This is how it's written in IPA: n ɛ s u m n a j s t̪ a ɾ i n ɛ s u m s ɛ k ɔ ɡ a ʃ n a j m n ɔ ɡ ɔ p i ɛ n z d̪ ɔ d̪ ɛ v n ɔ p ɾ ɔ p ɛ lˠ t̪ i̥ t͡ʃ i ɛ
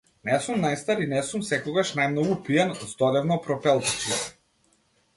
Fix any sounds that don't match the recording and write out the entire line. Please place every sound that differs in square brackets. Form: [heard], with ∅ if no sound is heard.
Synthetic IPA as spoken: n ɛ s u m n a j s t̪ a ɾ i n ɛ s u m s ɛ k ɔ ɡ a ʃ n a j m n ɔ ɡ [u] p i ɛ n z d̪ ɔ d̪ ɛ v n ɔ p ɾ ɔ p ɛ lˠ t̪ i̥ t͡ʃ i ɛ